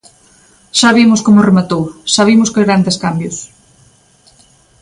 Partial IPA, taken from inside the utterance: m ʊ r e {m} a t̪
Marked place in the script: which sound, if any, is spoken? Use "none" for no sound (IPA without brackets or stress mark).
m